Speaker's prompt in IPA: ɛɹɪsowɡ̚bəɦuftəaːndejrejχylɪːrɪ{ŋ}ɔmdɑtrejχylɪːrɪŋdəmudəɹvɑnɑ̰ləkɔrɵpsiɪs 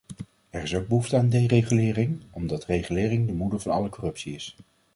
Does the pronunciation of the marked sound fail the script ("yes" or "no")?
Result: no